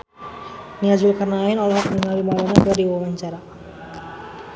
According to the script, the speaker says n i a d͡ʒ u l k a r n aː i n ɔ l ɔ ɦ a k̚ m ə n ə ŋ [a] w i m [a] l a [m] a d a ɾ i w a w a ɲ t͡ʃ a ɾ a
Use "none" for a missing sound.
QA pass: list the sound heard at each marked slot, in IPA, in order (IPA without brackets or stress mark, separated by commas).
a, a, n